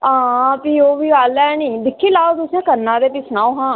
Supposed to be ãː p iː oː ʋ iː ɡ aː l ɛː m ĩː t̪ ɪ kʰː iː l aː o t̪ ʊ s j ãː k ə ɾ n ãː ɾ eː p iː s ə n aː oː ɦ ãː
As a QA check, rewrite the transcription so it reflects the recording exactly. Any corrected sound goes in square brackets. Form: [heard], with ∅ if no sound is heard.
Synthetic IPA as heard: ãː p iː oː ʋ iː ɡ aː l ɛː [n] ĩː [d̪] ɪ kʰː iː l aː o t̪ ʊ s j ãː k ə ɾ n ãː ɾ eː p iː s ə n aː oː ɦ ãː